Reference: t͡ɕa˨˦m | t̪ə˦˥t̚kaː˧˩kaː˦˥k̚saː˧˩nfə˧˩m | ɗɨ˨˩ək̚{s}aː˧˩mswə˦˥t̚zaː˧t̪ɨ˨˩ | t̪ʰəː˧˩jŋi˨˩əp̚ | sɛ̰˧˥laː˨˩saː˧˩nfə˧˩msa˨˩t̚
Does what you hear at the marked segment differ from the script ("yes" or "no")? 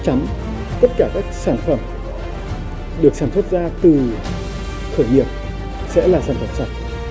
no